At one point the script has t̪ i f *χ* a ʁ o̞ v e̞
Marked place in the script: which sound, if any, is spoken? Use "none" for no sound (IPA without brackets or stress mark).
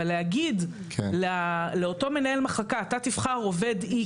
χ